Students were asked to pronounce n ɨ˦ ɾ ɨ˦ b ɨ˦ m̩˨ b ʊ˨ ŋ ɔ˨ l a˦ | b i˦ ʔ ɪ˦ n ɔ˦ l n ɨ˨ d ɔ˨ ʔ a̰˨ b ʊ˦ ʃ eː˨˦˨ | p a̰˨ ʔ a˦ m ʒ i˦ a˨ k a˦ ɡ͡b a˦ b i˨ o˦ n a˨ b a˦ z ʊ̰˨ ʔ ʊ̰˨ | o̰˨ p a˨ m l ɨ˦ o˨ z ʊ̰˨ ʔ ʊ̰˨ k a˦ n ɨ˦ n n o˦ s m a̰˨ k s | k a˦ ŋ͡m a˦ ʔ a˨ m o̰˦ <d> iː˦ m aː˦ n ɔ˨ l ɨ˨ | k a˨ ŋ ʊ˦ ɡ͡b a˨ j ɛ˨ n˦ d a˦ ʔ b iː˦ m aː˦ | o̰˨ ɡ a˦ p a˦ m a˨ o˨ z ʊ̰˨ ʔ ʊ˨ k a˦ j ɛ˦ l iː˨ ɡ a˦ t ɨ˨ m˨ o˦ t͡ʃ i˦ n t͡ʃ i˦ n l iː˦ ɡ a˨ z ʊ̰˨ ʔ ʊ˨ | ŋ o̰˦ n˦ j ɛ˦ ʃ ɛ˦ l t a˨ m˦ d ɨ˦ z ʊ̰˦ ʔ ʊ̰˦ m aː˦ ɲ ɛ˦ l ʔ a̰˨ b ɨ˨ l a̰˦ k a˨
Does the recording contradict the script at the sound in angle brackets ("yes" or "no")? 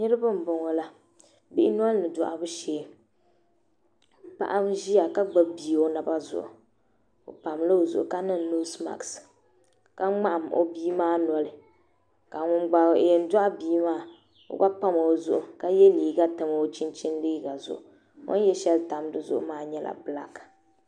yes